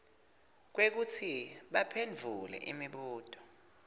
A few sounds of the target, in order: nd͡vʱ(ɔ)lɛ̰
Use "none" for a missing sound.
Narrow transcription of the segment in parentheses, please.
u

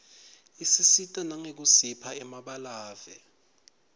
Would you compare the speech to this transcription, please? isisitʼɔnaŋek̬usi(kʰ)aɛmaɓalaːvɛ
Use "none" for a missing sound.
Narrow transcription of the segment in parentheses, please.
pʰ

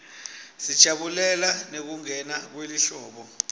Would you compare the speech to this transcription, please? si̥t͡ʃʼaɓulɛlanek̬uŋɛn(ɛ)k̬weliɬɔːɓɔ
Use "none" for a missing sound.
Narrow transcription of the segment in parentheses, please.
a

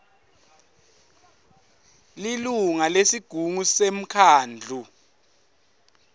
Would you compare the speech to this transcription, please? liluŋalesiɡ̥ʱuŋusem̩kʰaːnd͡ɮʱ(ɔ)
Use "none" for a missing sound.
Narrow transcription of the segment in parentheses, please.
u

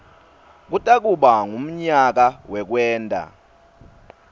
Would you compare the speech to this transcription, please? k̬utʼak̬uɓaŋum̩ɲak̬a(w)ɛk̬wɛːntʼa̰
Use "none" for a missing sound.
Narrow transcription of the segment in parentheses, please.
w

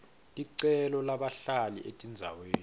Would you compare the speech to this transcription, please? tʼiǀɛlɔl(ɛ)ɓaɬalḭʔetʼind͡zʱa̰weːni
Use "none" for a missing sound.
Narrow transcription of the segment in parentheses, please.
a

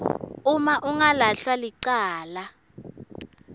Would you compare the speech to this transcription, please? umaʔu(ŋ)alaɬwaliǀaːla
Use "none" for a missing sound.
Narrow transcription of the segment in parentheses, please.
ŋ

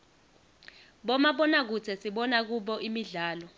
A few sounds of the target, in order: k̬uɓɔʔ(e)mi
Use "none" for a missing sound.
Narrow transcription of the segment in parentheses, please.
i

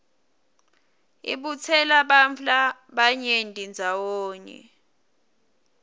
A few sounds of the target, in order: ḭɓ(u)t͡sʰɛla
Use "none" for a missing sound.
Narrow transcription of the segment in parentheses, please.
u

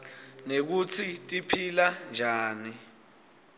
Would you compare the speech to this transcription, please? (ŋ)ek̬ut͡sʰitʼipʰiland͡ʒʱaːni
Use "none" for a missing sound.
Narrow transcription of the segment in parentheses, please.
n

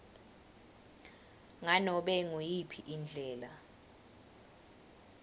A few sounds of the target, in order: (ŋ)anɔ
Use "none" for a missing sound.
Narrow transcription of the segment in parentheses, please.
ŋ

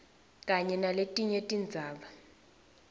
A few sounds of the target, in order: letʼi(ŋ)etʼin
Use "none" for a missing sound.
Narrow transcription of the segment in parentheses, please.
ɲ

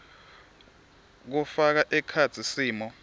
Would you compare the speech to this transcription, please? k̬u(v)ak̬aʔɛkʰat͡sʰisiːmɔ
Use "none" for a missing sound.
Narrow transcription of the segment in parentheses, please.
f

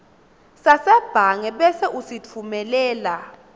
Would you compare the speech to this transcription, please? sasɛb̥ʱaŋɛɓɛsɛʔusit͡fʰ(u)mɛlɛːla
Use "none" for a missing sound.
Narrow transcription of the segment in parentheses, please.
u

